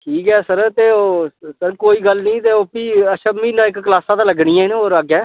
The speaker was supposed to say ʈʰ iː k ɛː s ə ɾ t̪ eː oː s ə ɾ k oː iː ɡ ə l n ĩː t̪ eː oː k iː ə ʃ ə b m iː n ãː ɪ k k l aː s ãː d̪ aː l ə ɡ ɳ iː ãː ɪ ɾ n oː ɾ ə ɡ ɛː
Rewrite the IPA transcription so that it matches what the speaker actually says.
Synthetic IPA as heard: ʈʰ iː k ɛː s ə ɾ t̪ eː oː s ə ɾ k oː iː ɡ ə l n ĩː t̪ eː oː p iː ə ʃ ə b m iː n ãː ɪ k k l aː s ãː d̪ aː l ə ɡ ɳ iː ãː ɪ n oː ɾ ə ɡ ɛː